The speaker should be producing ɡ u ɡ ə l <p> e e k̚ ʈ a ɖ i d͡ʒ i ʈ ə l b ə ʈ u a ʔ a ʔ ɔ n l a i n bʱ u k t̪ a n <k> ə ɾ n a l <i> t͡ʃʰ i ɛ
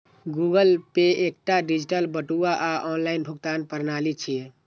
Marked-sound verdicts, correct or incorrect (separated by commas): correct, incorrect, correct